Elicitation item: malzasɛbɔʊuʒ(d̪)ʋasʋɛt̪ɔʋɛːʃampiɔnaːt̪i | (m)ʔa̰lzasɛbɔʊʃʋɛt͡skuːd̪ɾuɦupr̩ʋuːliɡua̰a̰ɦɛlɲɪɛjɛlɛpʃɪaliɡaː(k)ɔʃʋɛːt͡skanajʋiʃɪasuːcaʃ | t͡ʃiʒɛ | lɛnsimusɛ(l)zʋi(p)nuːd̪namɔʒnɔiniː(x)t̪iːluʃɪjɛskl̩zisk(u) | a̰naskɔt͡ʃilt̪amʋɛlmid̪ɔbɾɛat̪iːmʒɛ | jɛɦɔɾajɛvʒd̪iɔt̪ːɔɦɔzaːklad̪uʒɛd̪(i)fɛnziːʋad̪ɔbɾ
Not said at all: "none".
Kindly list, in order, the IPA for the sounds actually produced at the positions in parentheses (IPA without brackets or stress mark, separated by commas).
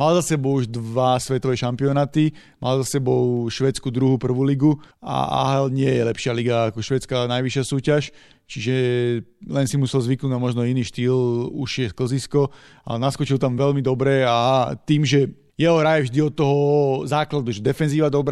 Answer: d̪, m, k, l, k, ʃ, ɔ, ɛ